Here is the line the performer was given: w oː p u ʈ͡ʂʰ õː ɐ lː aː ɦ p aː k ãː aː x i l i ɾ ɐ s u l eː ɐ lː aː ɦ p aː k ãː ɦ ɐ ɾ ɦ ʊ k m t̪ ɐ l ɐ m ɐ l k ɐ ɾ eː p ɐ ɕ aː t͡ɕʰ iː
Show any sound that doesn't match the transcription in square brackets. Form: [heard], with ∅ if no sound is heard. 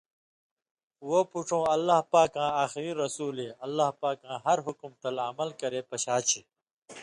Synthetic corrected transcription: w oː p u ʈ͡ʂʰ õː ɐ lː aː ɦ p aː k ãː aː x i [ɾ] i ɾ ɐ s [uː] l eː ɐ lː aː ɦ p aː k ãː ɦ ɐ ɾ ɦ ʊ k m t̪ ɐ l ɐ m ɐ l k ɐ ɾ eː p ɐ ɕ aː t͡ɕʰ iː